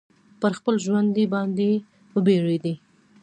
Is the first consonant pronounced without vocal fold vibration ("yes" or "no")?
yes